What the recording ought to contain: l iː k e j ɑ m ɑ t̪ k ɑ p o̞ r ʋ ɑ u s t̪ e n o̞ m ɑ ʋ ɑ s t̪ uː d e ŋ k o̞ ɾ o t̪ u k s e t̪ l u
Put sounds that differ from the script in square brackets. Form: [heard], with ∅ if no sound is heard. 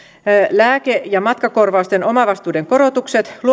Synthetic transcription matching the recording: l [æː] k e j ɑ m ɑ t̪ k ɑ [k] o̞ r ʋ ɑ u s t̪ e n o̞ m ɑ ʋ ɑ s t̪ uː d e ŋ k o̞ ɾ o t̪ u k s e t̪ l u